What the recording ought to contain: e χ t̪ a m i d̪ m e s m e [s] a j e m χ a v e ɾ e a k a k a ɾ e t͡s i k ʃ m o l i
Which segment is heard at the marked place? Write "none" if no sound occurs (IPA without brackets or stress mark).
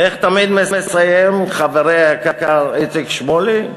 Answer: s